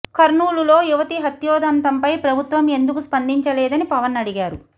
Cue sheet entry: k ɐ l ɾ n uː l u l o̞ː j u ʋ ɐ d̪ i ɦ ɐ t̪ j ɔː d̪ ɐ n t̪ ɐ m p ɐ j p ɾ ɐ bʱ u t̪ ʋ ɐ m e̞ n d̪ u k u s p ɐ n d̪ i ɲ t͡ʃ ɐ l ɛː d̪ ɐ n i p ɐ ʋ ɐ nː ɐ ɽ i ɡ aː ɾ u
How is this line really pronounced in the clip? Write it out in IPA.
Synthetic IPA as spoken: k ɐ ɾ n uː l u l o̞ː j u ʋ ɐ t̪ i ɦ ɐ t̪ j ɔː d̪ ɐ n t̪ ɐ m p ɐ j p ɾ ɐ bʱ u t̪ ʋ ɐ m e̞ n d̪ u k u s p ɐ n d̪ i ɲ t͡ʃ ɐ l ɛː d̪ ɐ n i p ɐ ʋ ɐ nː ɐ ɽ i ɡ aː ɾ u